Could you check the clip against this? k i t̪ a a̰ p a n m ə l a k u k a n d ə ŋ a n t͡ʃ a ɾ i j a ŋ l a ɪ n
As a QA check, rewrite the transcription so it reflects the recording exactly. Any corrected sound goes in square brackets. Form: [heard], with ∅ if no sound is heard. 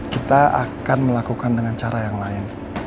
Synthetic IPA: k i t̪ a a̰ [k] a n m ə l a k u k a n d ə ŋ a n t͡ʃ a ɾ [a] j a ŋ l a ɪ n